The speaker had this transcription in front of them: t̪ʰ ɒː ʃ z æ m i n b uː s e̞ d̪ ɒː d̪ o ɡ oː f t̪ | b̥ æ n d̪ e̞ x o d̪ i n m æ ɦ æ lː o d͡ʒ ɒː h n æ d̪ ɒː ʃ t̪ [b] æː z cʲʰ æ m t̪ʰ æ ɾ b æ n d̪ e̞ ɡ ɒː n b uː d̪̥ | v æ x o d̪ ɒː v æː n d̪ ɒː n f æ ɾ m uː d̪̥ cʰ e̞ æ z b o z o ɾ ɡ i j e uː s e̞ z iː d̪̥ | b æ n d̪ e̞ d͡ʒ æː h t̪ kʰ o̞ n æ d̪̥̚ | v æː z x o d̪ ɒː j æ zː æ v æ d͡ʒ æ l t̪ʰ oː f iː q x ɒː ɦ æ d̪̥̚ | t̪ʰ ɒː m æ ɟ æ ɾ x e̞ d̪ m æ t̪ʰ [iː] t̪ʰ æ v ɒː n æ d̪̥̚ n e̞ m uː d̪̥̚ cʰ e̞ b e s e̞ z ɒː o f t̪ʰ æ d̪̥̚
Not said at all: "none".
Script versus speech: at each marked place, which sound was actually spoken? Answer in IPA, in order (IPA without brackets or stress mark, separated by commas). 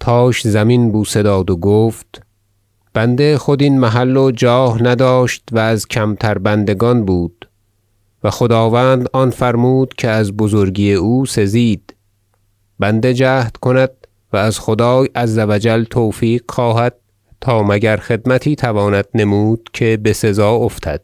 v, iː